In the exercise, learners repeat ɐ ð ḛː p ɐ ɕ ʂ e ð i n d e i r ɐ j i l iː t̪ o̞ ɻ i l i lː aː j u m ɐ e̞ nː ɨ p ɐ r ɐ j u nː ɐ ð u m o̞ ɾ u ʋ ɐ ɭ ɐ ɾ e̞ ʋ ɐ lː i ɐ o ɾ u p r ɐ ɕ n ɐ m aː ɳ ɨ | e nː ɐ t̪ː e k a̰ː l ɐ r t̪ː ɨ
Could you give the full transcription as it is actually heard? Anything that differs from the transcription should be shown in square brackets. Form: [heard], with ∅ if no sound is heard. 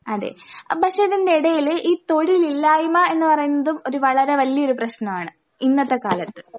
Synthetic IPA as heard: ɐ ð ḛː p ɐ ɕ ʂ e ð i n d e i [ɽ] ɐ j i l iː t̪ o̞ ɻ i l i lː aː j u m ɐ e̞ nː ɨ p ɐ r ɐ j u nː ɐ ð u m o̞ ɾ u ʋ ɐ ɭ ɐ ɾ e̞ ʋ ɐ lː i ɐ o ɾ u p r ɐ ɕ n ɐ m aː ɳ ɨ | [i] nː ɐ t̪ː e k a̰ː l ɐ [∅] t̪ː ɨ